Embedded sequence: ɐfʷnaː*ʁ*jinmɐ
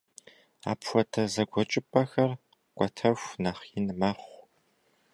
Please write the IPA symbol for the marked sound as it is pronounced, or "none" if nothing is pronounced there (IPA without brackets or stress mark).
χ